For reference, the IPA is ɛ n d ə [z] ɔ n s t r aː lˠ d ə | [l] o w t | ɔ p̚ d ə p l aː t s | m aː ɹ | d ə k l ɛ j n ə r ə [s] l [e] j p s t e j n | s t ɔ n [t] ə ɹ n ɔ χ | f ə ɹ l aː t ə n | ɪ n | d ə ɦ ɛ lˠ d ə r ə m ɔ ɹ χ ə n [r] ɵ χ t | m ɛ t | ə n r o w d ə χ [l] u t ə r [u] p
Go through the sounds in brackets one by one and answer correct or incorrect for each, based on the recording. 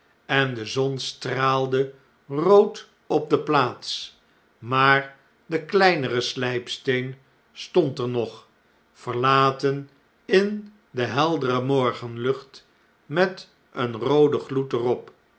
correct, incorrect: r, correct, incorrect: ɛ, correct, incorrect: l, correct, incorrect: ɔ

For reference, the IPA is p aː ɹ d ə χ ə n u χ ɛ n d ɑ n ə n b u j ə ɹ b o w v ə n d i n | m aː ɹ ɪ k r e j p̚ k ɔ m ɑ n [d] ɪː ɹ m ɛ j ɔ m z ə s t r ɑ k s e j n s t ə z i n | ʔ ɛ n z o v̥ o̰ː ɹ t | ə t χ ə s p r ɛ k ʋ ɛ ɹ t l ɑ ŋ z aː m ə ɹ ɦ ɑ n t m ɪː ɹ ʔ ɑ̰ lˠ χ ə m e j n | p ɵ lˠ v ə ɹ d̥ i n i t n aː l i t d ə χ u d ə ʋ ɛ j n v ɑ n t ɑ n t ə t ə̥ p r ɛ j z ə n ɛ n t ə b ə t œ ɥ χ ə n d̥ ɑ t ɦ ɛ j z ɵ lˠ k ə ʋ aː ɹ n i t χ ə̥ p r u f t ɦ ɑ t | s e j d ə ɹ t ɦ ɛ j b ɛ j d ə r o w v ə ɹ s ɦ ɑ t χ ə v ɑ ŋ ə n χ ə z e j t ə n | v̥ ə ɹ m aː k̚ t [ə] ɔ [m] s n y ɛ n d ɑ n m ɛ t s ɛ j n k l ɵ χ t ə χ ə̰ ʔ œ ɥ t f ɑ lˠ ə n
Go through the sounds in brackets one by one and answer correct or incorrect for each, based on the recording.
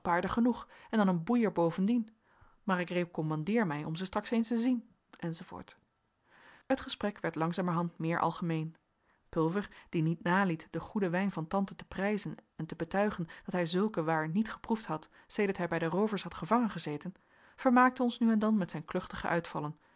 correct, correct, incorrect: n

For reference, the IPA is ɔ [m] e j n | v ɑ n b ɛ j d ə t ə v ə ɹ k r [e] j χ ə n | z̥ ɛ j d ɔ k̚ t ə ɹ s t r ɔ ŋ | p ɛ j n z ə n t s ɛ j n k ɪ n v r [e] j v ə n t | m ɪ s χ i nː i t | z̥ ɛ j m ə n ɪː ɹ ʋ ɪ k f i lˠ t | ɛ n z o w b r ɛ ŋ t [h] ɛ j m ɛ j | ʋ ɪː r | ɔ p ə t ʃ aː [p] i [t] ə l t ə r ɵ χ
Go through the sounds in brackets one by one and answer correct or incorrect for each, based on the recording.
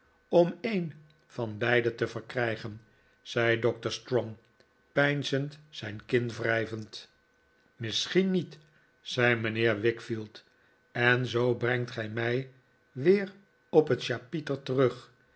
correct, incorrect: ɛ, incorrect: ɛ, incorrect: χ, correct, correct

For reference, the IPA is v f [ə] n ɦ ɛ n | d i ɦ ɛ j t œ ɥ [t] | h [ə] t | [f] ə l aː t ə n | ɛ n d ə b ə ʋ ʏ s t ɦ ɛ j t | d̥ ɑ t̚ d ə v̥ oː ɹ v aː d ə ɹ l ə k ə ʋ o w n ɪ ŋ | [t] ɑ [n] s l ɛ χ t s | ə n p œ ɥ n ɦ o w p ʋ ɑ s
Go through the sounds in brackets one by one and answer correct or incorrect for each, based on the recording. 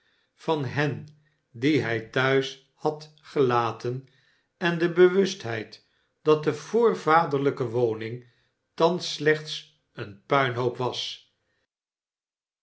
incorrect: ɑ, incorrect: s, incorrect: ɑ, incorrect: χ, correct, correct

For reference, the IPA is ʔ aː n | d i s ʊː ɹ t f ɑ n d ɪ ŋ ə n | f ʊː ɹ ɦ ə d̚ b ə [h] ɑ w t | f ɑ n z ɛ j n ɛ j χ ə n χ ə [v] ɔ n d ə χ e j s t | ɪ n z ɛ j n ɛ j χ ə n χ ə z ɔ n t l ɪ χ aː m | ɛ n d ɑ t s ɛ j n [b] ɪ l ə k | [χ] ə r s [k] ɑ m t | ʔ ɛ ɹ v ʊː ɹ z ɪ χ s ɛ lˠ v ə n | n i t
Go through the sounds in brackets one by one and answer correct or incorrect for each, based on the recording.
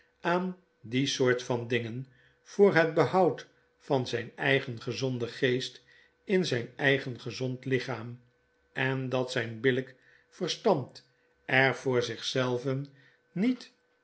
correct, incorrect: z, correct, incorrect: f, incorrect: t

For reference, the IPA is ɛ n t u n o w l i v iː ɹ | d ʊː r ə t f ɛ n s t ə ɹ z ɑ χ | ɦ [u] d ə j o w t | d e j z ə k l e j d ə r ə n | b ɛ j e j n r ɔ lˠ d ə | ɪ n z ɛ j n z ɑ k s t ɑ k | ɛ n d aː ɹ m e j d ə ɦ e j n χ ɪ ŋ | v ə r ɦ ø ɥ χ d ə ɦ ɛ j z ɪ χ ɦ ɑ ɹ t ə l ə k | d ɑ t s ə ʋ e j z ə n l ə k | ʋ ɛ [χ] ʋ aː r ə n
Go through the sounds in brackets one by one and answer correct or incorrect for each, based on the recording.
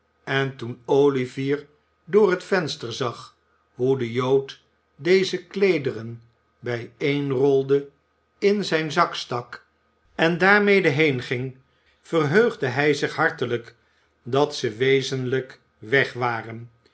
correct, correct

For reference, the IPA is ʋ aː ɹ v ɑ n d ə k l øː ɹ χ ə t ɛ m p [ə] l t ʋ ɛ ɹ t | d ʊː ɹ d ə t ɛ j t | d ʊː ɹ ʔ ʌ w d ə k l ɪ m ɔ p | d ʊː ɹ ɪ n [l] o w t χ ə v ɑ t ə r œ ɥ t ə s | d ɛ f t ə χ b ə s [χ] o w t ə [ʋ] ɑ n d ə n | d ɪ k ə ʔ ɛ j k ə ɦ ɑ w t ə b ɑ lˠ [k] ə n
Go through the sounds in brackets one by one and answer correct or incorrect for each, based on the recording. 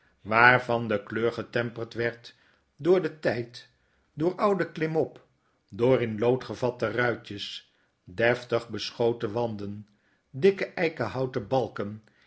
correct, correct, correct, correct, correct

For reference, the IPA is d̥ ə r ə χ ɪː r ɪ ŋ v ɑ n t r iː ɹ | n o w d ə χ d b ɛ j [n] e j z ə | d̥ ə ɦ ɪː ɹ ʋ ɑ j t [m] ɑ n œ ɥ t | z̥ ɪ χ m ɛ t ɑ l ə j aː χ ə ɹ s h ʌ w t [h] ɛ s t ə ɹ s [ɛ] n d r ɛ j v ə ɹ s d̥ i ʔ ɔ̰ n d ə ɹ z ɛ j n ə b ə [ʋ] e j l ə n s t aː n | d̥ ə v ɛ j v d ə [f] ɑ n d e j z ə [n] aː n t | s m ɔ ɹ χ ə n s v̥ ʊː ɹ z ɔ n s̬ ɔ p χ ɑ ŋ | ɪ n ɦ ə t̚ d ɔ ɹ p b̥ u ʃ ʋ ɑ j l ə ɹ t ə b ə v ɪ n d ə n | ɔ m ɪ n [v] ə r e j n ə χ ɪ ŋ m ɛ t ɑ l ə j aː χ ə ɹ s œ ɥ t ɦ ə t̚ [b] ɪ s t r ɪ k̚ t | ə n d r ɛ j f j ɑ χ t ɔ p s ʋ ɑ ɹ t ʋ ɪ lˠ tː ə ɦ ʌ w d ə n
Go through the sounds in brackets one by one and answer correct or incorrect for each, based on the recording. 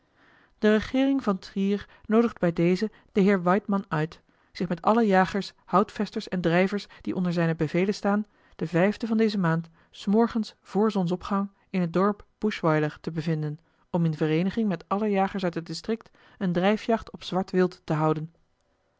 incorrect: d, correct, incorrect: f, correct, incorrect: v, incorrect: v, incorrect: m, correct, incorrect: d

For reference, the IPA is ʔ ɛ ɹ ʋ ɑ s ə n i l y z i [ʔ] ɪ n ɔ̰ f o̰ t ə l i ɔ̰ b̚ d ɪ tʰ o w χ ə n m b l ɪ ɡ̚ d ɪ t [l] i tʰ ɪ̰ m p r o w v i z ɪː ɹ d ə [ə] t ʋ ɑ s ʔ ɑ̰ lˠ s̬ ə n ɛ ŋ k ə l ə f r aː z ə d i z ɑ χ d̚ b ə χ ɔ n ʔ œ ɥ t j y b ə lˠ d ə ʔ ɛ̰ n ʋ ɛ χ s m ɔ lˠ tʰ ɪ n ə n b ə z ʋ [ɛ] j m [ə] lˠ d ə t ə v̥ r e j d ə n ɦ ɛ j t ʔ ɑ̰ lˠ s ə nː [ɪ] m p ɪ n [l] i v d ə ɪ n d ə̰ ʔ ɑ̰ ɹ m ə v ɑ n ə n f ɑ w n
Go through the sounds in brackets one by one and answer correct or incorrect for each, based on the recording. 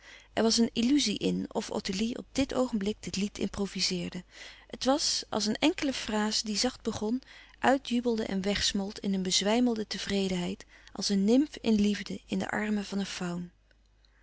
correct, correct, correct, correct, correct, correct, correct

